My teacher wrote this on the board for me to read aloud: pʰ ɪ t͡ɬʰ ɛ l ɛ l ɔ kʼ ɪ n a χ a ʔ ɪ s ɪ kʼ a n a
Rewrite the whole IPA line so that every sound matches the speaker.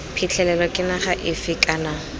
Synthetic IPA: pʰ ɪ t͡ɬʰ ɛ l ɛ l ɔ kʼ ɪ n a χ a ʔ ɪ f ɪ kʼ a n a